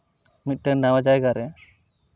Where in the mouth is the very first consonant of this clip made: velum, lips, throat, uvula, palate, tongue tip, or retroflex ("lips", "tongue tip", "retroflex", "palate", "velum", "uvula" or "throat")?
lips